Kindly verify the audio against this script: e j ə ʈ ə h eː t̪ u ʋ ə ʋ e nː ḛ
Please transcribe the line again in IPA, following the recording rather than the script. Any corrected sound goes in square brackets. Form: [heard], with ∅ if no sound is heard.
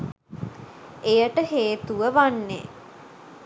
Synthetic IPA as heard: e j ə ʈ ə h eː t̪ u ʋ ə ʋ [a] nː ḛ